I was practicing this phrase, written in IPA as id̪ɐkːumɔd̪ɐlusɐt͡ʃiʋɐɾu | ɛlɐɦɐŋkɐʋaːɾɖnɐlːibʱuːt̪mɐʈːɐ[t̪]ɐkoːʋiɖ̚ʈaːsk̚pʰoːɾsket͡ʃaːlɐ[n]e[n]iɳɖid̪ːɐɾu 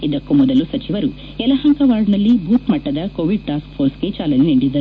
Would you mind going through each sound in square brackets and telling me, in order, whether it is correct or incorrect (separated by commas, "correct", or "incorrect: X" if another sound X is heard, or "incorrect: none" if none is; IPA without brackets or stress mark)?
incorrect: d̪, correct, correct